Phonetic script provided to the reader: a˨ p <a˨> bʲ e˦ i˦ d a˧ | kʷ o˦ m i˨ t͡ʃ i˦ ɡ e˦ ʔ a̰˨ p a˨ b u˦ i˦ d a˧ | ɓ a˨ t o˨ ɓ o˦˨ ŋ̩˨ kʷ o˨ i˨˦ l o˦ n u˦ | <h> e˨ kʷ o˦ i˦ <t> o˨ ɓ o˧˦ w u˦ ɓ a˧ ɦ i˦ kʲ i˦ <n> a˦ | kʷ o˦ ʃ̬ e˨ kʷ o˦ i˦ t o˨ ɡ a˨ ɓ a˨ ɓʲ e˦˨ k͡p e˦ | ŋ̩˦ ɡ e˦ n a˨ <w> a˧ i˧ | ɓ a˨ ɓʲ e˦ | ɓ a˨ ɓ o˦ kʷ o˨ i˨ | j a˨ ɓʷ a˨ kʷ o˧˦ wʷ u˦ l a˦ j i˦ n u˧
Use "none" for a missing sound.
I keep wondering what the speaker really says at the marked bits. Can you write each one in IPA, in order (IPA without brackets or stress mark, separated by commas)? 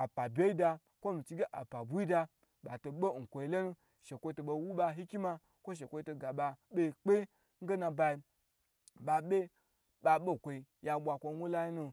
a˨, ʃ, t, m, b